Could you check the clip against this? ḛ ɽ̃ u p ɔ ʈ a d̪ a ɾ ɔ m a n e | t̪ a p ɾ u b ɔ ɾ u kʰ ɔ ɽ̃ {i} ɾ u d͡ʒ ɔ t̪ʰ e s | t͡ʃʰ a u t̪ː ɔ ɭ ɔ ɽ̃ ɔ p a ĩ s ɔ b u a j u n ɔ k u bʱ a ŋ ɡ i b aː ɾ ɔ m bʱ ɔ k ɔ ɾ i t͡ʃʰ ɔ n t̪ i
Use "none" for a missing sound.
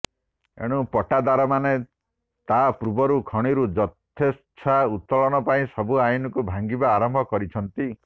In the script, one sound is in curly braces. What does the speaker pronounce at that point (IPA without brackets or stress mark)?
i